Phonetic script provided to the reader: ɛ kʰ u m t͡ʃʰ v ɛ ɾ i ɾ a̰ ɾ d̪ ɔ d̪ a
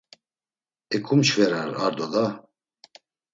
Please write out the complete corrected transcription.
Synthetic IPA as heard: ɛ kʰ u m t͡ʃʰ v ɛ ɾ a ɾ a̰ ɾ d̪ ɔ d̪ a